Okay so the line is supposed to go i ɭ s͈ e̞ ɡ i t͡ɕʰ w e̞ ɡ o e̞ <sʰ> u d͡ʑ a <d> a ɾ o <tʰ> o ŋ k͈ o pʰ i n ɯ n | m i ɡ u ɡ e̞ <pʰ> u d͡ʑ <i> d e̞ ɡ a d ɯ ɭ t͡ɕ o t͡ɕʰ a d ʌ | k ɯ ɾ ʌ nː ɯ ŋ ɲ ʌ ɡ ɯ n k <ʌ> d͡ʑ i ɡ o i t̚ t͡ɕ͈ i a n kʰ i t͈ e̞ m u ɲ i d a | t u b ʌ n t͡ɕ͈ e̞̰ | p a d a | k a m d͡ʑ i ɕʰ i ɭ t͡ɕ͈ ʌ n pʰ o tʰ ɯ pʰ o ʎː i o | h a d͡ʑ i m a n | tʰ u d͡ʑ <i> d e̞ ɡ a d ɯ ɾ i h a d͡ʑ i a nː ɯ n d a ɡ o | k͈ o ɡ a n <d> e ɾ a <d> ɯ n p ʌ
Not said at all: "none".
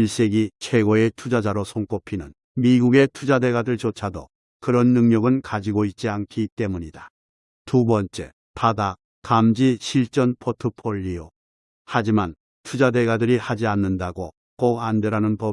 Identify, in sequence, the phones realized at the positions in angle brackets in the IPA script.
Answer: tʰ, d͡ʑ, sʰ, tʰ, a, a, a, d, n

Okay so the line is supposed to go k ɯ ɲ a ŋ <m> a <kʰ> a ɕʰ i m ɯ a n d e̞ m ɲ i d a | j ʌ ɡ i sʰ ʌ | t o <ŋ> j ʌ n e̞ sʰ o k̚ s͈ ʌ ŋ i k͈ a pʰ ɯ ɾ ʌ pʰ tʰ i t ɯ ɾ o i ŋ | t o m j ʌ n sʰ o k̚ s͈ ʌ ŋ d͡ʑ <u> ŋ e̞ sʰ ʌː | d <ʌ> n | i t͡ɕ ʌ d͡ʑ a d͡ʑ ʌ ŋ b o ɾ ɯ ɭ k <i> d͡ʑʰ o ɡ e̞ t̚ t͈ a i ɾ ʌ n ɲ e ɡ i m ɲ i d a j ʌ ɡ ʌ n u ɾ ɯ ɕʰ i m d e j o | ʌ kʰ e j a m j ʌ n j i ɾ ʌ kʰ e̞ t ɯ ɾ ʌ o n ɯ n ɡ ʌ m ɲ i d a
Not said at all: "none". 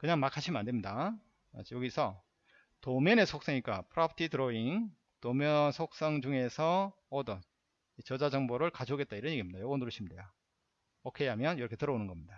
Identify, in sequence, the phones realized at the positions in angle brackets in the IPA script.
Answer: m, kʰ, m, u, ʌ, a

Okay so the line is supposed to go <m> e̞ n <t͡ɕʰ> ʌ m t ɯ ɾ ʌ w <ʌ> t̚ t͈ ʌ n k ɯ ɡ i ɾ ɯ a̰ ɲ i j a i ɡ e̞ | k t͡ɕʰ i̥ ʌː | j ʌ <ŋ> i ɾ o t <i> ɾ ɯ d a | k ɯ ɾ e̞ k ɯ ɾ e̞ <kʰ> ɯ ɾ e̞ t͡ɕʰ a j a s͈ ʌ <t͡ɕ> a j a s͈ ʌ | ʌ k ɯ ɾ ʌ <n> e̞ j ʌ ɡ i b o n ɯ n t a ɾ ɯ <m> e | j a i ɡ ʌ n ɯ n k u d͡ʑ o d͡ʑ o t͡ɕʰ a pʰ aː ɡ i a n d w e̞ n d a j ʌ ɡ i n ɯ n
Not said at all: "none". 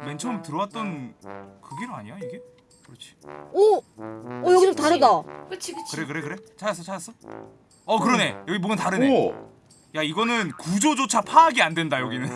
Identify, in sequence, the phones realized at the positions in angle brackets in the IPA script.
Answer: m, t͡ɕʰ, a, ɡ, a, k, t͡ɕʰ, n, n

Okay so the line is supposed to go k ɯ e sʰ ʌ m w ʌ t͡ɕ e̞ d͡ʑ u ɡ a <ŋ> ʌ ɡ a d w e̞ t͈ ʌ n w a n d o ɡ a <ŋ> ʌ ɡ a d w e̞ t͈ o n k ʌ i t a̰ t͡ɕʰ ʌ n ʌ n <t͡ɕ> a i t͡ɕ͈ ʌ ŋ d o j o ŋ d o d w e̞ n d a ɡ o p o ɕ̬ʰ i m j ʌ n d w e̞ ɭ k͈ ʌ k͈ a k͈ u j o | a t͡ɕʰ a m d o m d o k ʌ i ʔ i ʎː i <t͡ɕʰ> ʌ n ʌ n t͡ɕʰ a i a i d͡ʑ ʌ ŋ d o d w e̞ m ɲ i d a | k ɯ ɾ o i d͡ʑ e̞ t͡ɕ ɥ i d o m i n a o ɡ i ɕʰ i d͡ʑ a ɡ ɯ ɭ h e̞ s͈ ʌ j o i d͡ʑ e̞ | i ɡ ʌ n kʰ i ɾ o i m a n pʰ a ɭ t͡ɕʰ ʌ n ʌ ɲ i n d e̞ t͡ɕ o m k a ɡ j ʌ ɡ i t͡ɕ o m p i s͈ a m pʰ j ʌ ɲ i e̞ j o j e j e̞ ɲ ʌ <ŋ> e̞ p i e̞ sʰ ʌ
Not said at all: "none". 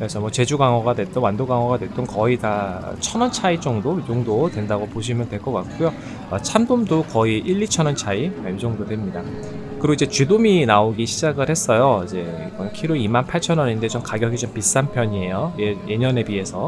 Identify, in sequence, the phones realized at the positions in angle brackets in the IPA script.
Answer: ŋ, ŋ, t͡ɕʰ, t͡ɕʰ, n

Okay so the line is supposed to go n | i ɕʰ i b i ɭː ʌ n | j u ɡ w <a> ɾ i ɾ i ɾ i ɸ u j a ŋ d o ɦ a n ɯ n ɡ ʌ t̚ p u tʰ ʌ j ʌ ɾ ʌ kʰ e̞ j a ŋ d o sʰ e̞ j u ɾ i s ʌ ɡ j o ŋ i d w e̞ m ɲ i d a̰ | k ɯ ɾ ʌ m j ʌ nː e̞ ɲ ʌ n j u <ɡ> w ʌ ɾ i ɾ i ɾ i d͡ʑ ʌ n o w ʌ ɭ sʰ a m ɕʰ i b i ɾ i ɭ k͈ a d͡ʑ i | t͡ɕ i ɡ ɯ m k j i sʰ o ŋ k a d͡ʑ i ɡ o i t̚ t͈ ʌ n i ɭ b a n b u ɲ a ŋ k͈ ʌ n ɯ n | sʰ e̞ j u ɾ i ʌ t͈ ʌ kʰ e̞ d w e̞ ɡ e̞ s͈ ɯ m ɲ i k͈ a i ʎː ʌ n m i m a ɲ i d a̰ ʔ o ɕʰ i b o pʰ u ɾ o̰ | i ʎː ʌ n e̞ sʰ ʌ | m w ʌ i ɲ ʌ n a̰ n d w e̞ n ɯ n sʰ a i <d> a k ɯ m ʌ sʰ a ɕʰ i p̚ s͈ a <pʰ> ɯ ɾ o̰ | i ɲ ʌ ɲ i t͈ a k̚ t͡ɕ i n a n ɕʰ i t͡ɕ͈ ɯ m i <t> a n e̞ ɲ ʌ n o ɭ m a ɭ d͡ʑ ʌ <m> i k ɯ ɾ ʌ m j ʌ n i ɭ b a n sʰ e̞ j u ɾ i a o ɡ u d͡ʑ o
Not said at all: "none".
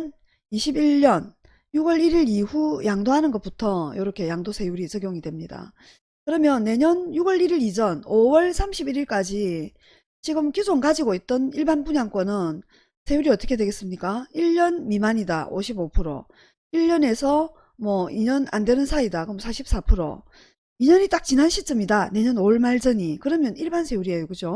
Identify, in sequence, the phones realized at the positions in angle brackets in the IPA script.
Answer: ʌ, ɡ, d, pʰ, d, ɲ

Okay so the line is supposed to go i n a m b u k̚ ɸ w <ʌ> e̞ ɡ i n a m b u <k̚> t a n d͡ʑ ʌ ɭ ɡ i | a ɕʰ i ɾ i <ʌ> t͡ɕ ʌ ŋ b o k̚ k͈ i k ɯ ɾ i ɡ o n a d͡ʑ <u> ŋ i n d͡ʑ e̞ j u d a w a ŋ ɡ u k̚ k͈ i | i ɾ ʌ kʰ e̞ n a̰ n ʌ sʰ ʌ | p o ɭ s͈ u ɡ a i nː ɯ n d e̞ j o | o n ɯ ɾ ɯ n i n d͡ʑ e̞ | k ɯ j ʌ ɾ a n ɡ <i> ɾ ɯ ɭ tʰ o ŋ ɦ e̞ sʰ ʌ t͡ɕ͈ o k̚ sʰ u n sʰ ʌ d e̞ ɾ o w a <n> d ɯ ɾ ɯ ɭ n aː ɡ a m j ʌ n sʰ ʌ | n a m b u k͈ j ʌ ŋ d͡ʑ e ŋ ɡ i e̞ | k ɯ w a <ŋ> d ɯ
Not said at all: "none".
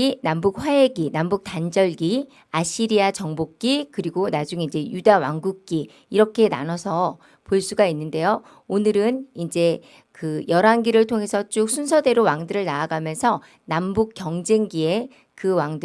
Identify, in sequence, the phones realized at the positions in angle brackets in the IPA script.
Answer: a, k̚, a, u, i, ŋ, ŋ

